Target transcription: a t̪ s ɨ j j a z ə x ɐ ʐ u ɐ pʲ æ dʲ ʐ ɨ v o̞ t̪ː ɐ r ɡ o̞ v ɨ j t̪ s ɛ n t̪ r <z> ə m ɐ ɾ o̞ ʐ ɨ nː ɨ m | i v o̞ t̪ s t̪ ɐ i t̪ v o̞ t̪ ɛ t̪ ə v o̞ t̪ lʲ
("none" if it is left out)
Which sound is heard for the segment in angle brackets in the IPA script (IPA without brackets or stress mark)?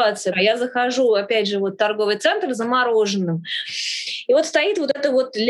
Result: z